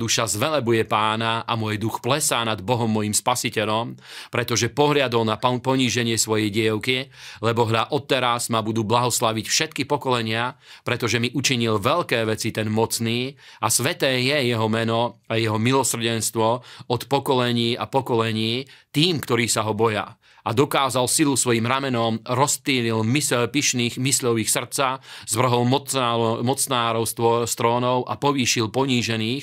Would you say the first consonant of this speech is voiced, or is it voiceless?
voiced